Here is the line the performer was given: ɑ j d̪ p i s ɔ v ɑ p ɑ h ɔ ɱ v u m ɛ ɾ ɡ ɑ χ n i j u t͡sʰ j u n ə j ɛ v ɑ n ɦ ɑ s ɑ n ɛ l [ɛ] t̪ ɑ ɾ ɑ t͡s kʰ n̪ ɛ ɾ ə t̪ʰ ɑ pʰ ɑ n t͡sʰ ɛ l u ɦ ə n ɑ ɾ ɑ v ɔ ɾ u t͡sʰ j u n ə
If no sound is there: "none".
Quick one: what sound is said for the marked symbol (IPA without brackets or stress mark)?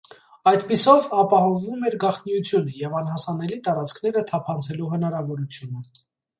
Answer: i